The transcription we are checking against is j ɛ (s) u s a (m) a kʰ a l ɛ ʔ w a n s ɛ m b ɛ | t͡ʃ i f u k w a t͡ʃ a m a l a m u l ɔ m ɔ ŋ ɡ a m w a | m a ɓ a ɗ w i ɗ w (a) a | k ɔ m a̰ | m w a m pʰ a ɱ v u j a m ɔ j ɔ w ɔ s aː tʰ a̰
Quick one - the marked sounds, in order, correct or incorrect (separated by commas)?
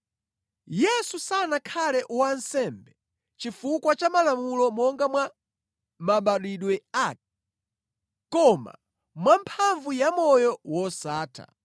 correct, incorrect, incorrect